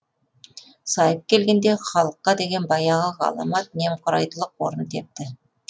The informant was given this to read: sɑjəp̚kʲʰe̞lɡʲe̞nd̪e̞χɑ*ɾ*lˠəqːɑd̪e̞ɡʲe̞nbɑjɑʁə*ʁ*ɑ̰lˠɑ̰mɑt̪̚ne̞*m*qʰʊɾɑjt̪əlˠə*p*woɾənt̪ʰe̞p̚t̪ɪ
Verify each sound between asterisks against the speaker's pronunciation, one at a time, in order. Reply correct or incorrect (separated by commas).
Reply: incorrect, correct, correct, incorrect